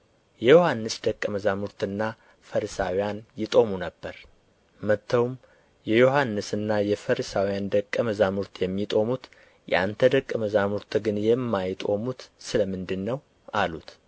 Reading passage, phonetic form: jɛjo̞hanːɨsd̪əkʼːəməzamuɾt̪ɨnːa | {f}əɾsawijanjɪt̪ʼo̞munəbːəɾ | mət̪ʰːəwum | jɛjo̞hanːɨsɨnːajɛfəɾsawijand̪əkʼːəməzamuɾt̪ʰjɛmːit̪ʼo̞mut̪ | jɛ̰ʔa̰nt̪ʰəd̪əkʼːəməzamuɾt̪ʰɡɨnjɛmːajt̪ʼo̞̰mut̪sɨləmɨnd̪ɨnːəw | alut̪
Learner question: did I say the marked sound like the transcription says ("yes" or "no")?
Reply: yes